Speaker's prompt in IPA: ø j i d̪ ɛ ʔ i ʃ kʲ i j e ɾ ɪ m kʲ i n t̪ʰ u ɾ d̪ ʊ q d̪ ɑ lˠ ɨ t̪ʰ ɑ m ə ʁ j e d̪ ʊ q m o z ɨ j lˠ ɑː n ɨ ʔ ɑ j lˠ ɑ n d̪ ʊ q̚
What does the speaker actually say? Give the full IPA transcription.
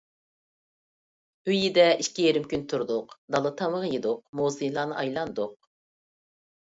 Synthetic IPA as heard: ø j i d̪ ɛ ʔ i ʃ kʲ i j e ɾ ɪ m kʲ y n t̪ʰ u ɾ d̪ ʊ q d̪ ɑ lˠ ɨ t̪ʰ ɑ m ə ʁ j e d̪ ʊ q m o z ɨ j lˠ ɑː n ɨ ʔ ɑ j lˠ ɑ n d̪ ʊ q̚

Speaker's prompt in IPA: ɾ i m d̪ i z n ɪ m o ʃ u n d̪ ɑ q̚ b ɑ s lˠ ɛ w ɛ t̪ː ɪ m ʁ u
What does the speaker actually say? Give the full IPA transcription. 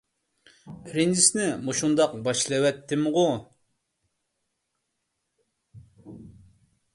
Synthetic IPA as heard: ɾ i n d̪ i s n ɪ m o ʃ u n d̪ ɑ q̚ b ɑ ʃ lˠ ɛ w ɛ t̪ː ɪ m ʁ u

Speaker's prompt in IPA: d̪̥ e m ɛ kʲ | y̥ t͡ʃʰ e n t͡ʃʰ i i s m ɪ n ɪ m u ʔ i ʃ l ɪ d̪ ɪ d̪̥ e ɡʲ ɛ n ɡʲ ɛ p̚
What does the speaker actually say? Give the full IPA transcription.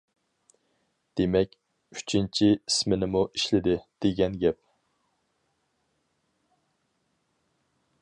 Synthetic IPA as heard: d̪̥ e m ɛ kʲ | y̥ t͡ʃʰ i n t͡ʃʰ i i s m ɪ n ɪ m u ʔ i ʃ l ɪ d̪ ɪ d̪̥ e ɡʲ ɛ n ɡʲ ɛ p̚

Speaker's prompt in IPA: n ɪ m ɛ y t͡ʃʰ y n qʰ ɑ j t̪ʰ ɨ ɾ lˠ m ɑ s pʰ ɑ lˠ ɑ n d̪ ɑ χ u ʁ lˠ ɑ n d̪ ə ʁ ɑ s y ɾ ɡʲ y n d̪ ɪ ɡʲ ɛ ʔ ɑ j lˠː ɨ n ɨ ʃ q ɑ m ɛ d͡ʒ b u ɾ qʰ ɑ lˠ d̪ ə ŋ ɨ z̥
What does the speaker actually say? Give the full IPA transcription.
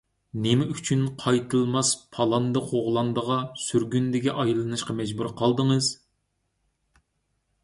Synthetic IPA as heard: n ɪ m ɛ y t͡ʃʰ y n qʰ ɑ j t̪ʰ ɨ lˠ m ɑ s pʰ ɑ lˠ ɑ n d̪ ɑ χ o ʁ lˠ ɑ n d̪ ə ʁ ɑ s y ɾ ɡʲ y n d̪ ɪ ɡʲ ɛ ʔ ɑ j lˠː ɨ n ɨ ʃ q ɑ m ɛ d͡ʒ b u ɾ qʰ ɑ lˠ d̪ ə ŋ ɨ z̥

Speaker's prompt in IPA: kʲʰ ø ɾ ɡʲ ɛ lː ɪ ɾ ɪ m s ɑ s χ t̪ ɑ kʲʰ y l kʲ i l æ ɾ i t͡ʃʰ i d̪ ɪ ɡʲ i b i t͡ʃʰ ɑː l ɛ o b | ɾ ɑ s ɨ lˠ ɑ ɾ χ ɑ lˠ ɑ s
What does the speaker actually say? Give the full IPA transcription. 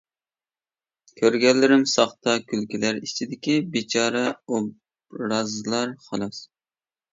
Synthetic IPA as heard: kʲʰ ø ɾ ɡʲ ɛ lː ɪ ɾ ɪ m s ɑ χ t̪ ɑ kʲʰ y l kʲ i l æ ɾ i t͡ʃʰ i d̪ ɪ kʲ i b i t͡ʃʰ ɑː ɾ ɛ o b | ɾ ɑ z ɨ lˠ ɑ ɾ χ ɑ lˠ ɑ s

